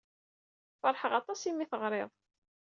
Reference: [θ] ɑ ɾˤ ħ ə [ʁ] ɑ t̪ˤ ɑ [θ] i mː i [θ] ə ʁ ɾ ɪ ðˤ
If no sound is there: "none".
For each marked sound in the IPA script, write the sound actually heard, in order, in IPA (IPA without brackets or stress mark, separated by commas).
f, ʁ, s, θ